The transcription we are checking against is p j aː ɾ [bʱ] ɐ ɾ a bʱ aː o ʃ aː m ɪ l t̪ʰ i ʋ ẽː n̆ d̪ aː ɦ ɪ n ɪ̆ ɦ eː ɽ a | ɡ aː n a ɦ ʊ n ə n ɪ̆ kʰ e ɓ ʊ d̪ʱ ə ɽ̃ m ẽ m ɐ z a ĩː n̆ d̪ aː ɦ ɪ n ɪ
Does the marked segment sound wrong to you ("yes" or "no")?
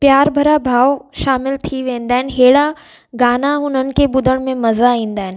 no